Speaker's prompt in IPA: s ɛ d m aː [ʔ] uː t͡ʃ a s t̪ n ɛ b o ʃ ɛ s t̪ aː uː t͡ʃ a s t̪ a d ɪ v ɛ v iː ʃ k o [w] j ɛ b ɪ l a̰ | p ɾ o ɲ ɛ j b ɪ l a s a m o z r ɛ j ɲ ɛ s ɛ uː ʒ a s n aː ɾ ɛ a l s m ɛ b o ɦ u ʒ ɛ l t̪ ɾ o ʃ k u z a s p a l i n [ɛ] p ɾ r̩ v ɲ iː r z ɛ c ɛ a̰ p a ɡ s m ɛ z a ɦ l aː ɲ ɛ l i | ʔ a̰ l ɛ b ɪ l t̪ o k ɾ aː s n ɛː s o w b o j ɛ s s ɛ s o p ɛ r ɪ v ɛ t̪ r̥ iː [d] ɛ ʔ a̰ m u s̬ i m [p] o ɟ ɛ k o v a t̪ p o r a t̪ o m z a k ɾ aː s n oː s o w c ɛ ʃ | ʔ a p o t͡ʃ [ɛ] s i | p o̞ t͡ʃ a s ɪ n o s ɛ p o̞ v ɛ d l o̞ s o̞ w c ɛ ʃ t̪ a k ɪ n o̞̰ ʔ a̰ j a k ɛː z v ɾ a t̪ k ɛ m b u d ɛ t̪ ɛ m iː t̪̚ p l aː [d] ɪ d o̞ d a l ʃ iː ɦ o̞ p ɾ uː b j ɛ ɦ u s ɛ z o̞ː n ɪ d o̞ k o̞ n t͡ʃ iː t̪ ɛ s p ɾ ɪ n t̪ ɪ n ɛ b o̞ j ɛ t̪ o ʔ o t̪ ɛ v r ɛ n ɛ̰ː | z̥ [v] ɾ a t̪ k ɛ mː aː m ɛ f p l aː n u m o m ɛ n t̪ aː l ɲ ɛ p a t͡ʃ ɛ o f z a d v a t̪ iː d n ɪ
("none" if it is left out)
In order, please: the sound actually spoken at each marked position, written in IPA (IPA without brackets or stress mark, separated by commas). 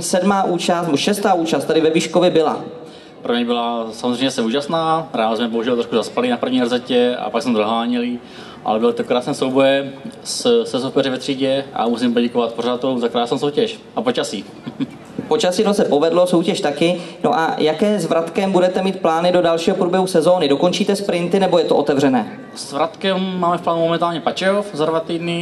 ʔ, v, a, ɟ, p, a, n, v